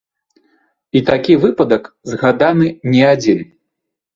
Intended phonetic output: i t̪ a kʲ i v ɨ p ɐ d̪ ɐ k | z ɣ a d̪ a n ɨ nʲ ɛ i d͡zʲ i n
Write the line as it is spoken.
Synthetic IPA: i t̪ a kʲ i v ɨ p ɐ d̪ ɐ k | z ɣ a d̪ a n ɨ nʲ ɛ a d͡zʲ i n

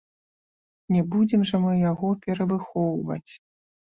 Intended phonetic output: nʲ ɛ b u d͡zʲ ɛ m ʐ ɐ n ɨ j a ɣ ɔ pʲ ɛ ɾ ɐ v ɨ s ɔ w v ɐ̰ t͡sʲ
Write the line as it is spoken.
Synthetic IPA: nʲ ɛ b u d͡zʲ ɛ m ʐ ɐ m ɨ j a ɣ ɔ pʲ ɛ ɾ ɐ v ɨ x ɔ w v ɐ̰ t͡sʲ

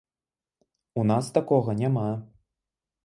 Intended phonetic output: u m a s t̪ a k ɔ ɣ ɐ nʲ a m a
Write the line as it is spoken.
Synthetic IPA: u n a s t̪ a k ɔ ɣ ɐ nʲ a m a

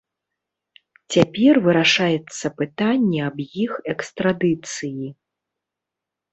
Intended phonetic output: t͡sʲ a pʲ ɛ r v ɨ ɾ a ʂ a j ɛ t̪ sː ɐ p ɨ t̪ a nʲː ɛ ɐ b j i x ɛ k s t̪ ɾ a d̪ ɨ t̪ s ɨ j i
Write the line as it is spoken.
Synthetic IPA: t͡sʲ a pʲ ɛ r v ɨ ɾ a ʂ a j ɛ t̪ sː ɐ p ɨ t̪ a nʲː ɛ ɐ b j i x ɛ k s t̪ ɾ a d̪ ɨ t̪ s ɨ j i

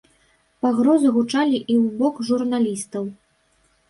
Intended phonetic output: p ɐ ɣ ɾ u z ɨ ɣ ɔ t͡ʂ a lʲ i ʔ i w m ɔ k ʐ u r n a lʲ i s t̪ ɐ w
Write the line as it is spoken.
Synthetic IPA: p a ɣ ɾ ɔ z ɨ ɣ u t͡ʂ a lʲ i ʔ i w b ɔ k ʐ u r n a lʲ i s t̪ ɐ w

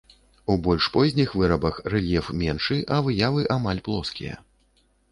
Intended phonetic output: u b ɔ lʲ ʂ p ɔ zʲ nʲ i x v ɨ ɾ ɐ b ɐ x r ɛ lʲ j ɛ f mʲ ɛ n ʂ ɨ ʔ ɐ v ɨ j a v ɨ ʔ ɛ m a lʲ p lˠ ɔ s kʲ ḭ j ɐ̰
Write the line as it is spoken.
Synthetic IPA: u b ɔ lʲ ʂ p ɔ zʲ nʲ i x v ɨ ɾ ɐ b ɐ x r ɛ lʲ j ɛ f mʲ ɛ n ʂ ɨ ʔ ɐ v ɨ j a v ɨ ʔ a m a lʲ p lˠ ɔ s kʲ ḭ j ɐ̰

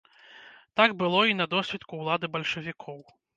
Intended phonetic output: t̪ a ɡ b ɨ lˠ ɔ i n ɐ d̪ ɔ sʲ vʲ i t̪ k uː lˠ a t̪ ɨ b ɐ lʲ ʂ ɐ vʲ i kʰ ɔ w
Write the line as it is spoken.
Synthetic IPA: t̪ a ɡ b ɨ lˠ ɔ i n ɐ d̪ ɔ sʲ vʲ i t̪ k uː lˠ a d̪ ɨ b ɐ lʲ ʂ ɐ vʲ i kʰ ɔ w

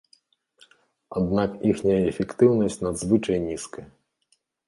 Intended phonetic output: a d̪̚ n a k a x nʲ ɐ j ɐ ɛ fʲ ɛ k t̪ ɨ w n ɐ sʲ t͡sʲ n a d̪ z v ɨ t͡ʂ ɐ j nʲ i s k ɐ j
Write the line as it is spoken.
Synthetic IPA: a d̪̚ n a k i x nʲ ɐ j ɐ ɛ fʲ ɛ k t̪ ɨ w n ɐ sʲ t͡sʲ n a d̪ z v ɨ t͡ʂ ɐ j nʲ i s k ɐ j

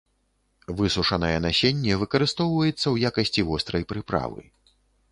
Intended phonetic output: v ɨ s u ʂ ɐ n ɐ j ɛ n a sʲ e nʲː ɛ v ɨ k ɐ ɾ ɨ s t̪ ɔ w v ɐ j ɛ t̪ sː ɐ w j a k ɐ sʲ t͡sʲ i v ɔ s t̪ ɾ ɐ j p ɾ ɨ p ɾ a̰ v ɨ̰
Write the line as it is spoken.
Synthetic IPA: v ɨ s u ʂ ɐ n ɐ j ɛ n a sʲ e nʲː ɛ v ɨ k ɐ ɾ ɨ s t̪ ɔ w v ɐ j ɛ t̪ sː ɐ w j a k ɐ sʲ t͡sʲ i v ɔ s t̪ ɾ ɐ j p ɾ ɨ p ɾ a̰ v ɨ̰

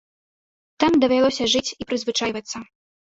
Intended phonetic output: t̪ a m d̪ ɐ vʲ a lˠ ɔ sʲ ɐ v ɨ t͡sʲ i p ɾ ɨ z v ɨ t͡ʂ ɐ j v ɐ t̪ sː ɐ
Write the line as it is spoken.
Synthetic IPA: t̪ a m d̪ ɐ vʲ a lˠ ɔ sʲ ɐ ʐ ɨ t͡sʲ i p ɾ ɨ z v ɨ t͡ʂ a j v ɐ t̪ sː ɐ

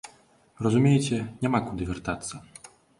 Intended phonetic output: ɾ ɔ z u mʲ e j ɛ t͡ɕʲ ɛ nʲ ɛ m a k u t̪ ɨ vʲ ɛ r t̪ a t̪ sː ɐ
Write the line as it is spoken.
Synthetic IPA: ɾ ɔ z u mʲ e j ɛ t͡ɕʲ ɛ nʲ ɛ m a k u d̪ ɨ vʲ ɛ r t̪ a t̪ sː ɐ

